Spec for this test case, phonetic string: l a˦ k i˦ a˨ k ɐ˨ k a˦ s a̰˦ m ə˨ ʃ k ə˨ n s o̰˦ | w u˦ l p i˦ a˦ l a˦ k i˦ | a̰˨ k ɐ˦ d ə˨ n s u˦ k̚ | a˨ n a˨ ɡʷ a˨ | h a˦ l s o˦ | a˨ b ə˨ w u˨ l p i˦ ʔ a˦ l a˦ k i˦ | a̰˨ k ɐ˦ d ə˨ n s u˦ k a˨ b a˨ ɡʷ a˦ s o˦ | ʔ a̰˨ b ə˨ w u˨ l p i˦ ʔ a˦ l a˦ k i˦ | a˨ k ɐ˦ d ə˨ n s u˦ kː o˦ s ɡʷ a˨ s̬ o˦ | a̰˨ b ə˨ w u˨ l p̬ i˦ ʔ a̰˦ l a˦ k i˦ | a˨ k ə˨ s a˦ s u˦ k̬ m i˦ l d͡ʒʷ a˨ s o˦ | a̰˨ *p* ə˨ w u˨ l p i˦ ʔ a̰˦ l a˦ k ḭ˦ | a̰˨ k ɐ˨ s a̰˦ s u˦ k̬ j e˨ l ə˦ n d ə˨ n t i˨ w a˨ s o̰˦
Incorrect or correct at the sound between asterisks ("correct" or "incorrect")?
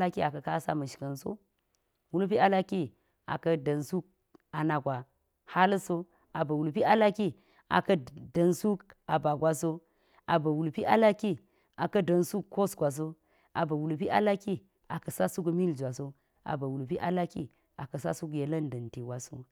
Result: incorrect